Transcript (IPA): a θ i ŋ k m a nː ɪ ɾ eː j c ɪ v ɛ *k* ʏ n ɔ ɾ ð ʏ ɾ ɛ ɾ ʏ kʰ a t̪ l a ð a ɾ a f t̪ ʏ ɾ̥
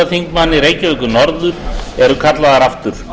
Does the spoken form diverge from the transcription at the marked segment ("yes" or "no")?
no